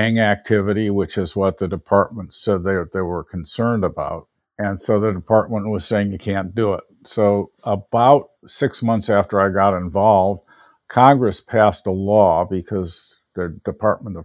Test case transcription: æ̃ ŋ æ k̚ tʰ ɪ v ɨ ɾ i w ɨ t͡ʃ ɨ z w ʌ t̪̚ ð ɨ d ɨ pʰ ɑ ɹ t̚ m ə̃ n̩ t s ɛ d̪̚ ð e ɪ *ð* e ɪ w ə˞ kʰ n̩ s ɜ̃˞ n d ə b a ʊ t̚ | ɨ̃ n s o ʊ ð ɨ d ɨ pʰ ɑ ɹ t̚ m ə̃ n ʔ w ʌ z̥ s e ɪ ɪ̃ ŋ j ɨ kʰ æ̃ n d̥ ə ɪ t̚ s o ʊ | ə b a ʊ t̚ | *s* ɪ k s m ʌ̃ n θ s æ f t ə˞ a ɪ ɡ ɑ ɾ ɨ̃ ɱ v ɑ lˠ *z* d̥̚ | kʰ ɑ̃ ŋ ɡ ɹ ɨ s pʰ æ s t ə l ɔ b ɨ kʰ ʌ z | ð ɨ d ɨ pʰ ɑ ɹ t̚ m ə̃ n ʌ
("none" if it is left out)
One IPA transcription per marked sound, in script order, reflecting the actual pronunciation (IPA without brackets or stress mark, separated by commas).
ð, s, v